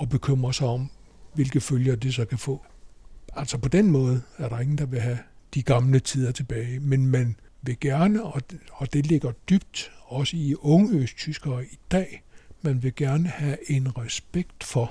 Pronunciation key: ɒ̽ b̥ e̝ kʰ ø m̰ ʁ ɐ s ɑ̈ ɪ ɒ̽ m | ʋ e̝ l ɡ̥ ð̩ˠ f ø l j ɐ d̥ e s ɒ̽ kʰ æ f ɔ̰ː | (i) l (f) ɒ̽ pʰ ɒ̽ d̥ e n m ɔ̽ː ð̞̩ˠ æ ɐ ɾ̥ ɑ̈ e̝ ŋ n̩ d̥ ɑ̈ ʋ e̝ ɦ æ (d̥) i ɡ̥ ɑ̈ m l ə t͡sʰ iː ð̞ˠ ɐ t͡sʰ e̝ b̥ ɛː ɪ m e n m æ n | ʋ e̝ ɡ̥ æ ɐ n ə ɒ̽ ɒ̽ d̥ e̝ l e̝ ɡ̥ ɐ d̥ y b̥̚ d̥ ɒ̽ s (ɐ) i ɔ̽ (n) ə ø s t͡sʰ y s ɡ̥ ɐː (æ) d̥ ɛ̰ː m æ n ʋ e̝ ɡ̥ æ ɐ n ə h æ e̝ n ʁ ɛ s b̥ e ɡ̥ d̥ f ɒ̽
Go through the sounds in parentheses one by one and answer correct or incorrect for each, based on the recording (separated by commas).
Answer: incorrect, incorrect, correct, incorrect, incorrect, incorrect